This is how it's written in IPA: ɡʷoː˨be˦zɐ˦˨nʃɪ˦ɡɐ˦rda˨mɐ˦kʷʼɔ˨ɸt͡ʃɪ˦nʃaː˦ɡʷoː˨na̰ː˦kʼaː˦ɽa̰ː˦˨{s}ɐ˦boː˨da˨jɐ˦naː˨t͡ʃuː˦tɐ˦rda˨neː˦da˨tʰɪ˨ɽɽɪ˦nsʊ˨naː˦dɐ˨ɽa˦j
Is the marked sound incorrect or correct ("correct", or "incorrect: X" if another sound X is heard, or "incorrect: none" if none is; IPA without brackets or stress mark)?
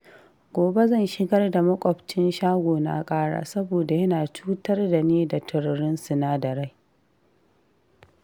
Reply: correct